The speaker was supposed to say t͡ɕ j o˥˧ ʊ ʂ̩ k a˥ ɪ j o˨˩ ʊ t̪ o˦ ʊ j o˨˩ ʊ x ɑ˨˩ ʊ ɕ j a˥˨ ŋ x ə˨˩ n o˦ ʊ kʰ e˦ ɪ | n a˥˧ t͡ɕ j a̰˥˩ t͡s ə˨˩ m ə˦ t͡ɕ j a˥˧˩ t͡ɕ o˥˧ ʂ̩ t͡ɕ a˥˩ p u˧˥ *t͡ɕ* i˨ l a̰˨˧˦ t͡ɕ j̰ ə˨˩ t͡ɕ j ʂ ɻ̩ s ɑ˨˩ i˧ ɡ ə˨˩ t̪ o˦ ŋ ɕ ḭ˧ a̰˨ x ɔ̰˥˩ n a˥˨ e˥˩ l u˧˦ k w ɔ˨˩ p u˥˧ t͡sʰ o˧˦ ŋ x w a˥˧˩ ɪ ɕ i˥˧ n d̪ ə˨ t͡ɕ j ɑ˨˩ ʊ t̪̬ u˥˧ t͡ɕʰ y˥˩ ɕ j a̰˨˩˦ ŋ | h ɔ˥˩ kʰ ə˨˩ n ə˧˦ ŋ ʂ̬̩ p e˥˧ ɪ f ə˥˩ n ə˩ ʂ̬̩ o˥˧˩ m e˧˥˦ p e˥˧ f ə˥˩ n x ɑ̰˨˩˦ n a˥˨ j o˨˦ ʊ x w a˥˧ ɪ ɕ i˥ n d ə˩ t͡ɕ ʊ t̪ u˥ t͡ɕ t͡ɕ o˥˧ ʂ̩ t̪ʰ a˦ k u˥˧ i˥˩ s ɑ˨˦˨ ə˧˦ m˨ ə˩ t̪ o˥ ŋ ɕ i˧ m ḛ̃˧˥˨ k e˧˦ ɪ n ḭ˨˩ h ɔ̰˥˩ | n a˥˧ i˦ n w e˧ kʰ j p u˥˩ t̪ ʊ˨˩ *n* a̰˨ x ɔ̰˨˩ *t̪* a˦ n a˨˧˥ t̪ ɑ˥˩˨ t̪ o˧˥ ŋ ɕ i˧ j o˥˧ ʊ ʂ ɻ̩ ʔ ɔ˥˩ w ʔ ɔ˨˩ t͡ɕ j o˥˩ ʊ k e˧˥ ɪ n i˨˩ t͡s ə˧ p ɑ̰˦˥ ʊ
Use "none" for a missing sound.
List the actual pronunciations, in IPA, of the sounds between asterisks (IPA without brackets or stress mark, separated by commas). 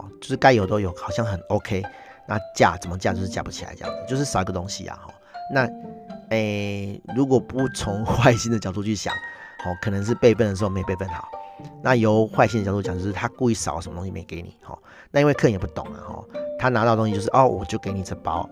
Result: t͡ɕʰ, ŋ, t̪ʰ